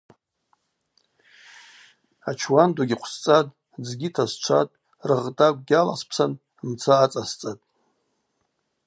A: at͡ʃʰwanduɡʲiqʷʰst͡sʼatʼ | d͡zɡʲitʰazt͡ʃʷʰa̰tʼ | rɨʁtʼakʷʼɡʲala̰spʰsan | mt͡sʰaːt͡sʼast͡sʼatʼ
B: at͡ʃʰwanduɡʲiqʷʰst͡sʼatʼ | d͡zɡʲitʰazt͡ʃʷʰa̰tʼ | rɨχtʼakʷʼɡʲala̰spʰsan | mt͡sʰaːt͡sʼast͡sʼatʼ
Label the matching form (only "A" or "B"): A